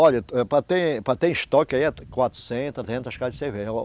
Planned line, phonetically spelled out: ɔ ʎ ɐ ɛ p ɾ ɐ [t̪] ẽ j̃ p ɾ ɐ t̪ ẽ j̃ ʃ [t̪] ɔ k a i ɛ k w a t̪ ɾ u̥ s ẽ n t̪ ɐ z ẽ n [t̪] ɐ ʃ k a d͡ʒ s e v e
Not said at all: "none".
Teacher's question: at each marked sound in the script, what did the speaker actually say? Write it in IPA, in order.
t̪, t̪, t̪

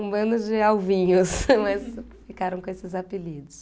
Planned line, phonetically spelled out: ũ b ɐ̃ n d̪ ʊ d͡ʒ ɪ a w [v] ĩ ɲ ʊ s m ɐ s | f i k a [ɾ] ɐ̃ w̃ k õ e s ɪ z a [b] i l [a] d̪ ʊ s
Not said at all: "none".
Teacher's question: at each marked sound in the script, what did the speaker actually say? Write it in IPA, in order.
v, ɾ, p, i

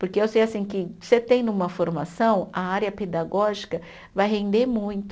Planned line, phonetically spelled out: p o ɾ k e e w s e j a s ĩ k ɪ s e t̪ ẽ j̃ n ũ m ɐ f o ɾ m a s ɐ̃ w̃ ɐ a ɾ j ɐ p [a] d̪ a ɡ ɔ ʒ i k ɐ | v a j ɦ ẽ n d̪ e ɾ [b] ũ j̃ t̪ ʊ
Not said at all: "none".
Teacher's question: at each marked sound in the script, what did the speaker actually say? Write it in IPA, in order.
e, m

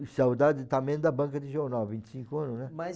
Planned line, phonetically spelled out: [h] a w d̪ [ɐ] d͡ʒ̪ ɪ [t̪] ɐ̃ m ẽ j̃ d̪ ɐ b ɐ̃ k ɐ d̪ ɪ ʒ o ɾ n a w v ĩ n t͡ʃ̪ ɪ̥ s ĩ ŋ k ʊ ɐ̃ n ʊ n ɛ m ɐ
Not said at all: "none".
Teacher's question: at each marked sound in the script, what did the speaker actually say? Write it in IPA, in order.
s, a, t̪

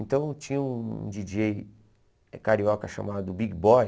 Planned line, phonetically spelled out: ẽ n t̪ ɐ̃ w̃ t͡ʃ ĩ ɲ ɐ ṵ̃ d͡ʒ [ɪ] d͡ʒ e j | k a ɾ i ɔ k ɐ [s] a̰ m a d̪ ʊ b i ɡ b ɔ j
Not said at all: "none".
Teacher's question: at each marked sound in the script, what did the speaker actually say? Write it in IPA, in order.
i, ʃ

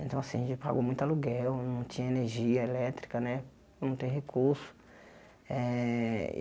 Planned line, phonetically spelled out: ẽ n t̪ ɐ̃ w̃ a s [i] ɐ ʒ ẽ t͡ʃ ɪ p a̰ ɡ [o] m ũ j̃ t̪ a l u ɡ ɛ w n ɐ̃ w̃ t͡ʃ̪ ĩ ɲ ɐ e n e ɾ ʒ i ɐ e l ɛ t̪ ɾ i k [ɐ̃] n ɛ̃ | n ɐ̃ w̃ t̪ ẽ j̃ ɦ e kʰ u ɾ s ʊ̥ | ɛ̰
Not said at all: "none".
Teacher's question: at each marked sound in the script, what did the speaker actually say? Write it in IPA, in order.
ĩ, o, ɐ

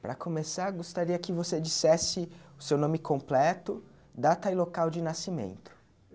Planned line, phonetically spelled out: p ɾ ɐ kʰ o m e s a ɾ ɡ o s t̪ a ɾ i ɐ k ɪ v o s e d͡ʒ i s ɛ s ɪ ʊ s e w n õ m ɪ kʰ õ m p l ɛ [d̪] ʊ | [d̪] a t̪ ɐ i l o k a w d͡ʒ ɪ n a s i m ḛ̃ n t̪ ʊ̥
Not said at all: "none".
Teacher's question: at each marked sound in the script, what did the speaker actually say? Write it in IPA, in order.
t̪, d̪

